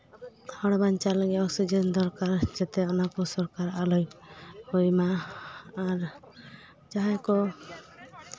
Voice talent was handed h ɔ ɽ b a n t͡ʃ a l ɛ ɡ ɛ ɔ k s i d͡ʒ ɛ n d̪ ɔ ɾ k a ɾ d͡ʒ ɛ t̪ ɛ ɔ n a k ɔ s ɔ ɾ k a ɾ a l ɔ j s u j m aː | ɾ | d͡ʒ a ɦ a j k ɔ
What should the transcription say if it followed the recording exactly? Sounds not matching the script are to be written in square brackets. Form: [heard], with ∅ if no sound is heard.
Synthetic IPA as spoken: h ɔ ɽ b a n t͡ʃ a l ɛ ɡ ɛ ɔ k s i d͡ʒ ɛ n d̪ ɔ ɾ k a ɾ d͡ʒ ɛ t̪ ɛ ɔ n a k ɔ s ɔ ɾ k a ɾ a l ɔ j [h] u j m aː | ɾ | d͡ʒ a ɦ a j k ɔ